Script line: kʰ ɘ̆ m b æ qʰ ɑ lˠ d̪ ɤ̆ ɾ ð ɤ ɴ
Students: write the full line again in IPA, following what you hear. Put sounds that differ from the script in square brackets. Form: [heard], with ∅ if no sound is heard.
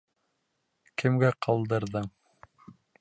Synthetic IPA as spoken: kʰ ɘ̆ m [ɡ] æ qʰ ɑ lˠ d̪ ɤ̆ ɾ ð ɤ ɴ